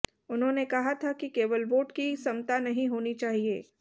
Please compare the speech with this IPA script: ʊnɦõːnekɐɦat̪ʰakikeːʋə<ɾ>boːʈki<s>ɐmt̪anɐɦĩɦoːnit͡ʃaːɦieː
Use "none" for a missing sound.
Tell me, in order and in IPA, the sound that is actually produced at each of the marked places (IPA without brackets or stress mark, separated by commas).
l, s